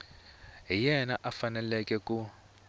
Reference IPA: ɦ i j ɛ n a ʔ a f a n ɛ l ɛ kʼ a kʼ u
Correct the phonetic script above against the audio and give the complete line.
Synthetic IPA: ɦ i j ɛ n a ʔ a f a n ɛ l ɛ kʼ ɛ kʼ u